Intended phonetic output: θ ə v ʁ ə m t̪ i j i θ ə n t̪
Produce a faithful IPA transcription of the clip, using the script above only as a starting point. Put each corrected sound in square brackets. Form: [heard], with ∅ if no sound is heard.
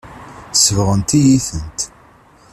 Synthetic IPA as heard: [s] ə v ʁ ə [n] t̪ i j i θ ə n t̪